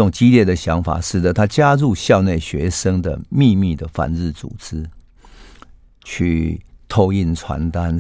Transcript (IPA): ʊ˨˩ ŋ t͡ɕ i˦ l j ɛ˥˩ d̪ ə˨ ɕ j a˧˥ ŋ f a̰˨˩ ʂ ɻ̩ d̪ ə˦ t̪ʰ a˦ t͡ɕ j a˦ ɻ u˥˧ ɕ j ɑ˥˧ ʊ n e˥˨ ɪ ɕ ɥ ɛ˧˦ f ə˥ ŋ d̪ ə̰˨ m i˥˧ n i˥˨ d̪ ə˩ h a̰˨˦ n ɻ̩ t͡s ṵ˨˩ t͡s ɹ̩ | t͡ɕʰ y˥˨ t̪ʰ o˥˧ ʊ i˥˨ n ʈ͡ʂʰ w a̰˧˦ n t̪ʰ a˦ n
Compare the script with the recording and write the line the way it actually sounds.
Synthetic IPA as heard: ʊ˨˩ ŋ t͡ɕ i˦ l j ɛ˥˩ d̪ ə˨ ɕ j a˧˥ ŋ f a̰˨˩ ʂ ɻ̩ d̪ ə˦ t̪ʰ a˦ t͡ɕ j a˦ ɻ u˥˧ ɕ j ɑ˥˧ ʊ n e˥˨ ɪ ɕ ɥ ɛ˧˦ ʂ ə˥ ŋ d̪ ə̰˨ m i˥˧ m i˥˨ d̪ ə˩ f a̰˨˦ n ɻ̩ t͡s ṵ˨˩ t͡s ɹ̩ | t͡ɕʰ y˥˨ t̪ʰ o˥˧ ʊ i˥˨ n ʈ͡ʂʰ w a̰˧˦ n t̪ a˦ n